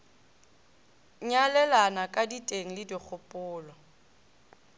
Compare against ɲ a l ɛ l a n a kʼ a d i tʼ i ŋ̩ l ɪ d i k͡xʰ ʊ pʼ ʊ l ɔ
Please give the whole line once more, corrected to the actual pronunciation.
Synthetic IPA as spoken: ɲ a l ɛ l a n a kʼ a d i tʼ e ŋ̩ l ɪ d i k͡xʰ ʊ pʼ ʊː l ɔ